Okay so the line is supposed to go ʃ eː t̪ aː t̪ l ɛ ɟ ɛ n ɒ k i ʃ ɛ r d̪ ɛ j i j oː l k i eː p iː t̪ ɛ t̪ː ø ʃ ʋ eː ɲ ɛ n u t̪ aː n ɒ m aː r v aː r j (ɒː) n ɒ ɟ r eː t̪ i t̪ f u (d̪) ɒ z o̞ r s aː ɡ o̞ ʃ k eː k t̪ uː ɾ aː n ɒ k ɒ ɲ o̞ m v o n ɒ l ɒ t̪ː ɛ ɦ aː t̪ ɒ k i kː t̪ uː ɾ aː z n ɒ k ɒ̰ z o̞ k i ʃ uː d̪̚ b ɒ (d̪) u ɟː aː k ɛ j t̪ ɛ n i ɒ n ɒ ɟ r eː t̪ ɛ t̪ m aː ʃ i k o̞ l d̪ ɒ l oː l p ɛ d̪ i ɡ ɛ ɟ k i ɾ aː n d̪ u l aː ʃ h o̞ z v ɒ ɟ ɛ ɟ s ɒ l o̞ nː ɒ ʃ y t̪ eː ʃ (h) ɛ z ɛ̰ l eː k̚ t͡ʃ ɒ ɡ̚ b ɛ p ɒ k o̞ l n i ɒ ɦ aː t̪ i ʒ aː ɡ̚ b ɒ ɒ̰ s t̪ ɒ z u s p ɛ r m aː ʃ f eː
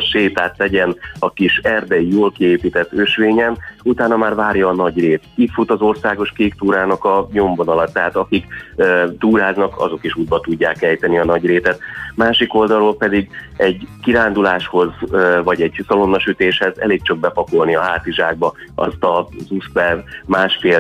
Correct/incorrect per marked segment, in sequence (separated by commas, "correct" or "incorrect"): correct, incorrect, incorrect, correct